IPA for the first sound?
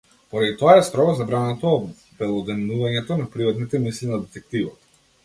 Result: p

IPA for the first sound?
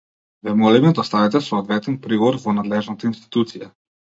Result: v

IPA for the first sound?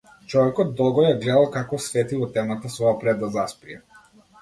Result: t͡ʃ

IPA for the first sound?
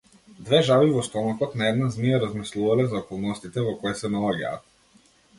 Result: d̪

